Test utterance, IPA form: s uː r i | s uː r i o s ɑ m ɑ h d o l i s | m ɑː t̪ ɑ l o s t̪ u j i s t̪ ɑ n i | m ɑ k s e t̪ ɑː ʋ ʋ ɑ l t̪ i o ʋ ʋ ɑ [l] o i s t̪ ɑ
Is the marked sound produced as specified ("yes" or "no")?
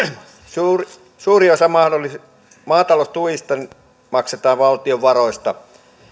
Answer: no